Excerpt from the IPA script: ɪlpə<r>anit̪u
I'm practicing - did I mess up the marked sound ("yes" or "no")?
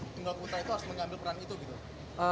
yes